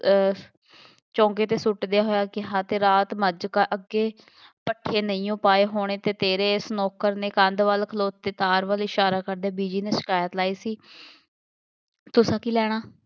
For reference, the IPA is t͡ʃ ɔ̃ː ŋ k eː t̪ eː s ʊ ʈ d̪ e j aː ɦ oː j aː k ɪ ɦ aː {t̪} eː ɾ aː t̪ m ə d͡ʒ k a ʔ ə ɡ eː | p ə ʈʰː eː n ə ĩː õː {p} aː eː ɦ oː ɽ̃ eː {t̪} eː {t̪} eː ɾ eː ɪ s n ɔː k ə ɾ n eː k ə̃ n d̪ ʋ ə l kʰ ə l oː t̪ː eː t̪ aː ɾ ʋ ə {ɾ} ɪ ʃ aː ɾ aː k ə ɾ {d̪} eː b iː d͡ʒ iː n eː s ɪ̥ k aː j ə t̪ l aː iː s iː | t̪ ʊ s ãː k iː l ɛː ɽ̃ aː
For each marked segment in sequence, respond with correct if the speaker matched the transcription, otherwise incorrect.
correct, correct, correct, correct, incorrect: l, correct

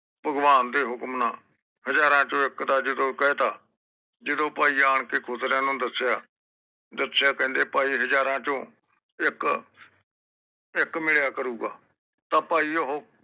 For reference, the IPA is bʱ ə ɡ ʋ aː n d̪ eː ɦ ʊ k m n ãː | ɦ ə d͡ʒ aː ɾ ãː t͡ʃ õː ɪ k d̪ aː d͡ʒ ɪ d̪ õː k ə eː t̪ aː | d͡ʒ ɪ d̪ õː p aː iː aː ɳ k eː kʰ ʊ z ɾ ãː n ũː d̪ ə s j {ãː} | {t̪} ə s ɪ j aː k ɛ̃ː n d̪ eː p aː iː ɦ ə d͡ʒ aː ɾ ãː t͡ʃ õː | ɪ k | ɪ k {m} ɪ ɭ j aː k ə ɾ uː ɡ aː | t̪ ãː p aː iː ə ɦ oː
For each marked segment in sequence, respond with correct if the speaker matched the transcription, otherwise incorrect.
incorrect: aː, incorrect: d̪, correct

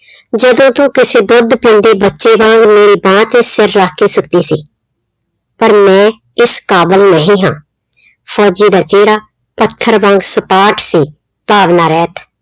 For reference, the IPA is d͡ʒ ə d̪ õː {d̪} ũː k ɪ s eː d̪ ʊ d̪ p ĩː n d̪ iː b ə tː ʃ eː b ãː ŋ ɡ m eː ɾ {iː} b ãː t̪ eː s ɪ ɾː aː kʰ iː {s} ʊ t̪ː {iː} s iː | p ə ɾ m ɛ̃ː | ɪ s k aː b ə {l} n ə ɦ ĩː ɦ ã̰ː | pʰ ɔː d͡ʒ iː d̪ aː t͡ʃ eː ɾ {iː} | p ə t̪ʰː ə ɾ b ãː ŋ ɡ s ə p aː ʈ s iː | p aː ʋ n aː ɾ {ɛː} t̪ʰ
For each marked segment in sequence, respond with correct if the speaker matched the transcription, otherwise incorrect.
incorrect: t̪, correct, correct, correct, correct, incorrect: aː, correct

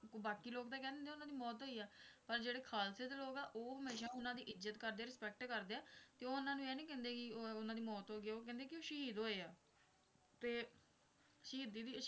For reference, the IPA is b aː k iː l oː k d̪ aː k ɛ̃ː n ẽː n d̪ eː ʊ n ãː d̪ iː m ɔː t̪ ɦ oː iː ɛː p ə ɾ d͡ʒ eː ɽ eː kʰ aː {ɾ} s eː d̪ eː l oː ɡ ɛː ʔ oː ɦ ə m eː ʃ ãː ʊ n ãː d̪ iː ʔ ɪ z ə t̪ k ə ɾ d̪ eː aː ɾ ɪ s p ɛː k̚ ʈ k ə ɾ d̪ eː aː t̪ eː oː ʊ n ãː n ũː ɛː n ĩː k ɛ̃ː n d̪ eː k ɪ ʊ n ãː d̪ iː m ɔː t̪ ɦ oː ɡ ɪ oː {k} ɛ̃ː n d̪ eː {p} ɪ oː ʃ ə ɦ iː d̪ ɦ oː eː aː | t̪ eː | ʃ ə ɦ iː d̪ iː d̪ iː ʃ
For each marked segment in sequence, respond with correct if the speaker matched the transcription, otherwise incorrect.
incorrect: l, correct, incorrect: k

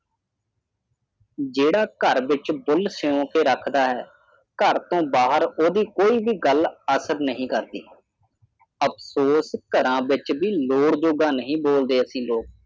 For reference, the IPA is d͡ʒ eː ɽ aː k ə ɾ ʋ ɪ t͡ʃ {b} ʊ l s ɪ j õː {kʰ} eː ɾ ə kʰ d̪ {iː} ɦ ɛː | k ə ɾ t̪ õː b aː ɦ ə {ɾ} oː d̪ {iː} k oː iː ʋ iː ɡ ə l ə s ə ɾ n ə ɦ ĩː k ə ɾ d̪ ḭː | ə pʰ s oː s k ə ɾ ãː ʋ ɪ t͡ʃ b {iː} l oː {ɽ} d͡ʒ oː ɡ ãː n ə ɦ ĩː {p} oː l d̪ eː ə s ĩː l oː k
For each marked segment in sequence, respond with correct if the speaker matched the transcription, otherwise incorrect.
correct, incorrect: k, incorrect: aː, correct, correct, correct, correct, incorrect: b

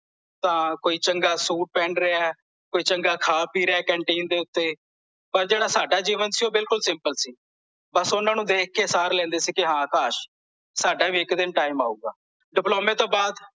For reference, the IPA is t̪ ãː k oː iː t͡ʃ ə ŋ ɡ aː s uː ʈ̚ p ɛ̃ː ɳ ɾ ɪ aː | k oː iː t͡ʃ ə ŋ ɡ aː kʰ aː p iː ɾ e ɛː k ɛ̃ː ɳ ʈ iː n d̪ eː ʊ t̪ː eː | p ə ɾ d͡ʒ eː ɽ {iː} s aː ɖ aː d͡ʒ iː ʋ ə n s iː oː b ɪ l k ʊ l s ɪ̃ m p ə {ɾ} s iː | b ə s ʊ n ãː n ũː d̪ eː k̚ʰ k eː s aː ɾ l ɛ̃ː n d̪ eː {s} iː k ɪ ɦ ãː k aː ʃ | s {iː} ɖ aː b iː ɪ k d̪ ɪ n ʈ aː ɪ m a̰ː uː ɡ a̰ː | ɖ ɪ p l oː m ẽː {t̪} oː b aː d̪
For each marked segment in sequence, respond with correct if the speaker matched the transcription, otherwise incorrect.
incorrect: aː, incorrect: l, correct, incorrect: aː, correct

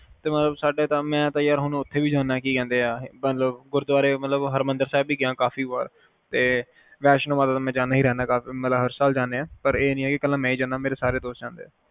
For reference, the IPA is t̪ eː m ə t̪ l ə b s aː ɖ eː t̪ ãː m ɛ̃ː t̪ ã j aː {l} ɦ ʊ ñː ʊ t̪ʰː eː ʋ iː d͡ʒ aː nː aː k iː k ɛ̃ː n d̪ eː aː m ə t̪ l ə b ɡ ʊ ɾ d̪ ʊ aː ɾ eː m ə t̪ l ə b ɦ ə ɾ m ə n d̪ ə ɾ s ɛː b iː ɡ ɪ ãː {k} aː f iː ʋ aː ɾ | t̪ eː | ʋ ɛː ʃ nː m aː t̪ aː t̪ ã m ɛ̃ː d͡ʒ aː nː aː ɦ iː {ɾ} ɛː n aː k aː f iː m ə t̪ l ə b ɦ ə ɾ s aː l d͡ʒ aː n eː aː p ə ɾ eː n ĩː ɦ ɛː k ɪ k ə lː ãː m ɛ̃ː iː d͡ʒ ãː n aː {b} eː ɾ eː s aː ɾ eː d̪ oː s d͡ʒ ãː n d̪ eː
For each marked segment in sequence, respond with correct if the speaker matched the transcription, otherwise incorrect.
incorrect: ɾ, correct, correct, incorrect: m

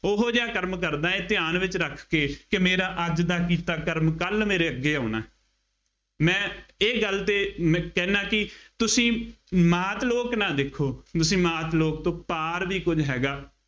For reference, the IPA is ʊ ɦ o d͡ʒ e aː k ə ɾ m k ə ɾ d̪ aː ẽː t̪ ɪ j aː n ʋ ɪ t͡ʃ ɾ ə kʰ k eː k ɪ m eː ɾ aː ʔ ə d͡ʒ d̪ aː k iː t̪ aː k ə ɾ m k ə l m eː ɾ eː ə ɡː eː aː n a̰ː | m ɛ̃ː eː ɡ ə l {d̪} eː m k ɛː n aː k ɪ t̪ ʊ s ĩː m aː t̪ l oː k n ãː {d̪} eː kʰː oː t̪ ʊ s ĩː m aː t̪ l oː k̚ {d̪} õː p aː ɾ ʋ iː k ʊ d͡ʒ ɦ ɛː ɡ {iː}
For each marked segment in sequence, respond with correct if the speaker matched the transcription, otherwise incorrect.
incorrect: t̪, correct, incorrect: t̪, incorrect: aː

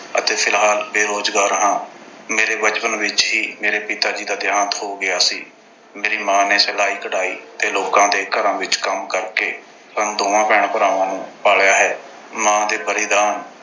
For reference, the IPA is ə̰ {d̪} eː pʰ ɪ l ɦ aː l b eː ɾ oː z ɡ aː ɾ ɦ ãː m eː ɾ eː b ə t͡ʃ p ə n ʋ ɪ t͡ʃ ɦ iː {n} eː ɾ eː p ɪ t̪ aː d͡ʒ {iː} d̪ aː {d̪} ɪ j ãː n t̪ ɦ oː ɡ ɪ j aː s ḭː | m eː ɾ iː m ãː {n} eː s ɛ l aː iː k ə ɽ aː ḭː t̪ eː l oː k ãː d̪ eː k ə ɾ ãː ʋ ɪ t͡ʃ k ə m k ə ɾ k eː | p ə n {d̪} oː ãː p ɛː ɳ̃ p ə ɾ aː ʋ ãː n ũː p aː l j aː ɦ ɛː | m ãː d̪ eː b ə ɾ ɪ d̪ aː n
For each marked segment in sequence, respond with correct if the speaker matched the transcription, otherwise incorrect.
incorrect: t̪, incorrect: m, correct, correct, correct, correct

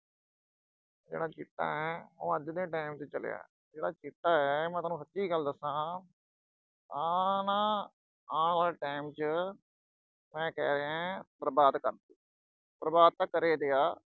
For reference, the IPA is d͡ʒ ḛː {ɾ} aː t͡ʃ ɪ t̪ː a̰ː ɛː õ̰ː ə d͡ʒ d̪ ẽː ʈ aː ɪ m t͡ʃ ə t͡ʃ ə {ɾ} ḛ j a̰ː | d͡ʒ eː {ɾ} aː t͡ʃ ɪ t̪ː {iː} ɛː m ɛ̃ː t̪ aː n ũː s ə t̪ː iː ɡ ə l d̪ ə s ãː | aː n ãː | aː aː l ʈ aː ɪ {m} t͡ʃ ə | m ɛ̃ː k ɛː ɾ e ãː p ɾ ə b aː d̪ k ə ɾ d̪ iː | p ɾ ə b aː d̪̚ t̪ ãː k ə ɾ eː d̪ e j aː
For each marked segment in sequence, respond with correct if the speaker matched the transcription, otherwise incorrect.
incorrect: ɽ, incorrect: l, incorrect: ɽ, incorrect: aː, correct

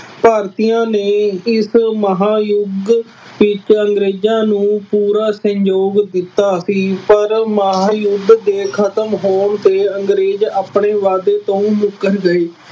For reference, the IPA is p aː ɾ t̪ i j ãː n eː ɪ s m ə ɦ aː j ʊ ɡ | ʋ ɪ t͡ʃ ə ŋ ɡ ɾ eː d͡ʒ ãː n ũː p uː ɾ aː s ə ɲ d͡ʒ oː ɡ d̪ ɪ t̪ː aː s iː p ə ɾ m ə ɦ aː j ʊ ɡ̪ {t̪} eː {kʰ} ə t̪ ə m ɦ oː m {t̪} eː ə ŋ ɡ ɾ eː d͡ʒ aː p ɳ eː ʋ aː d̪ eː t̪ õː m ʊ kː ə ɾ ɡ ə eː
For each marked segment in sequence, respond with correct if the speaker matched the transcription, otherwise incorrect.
incorrect: d̪, correct, correct

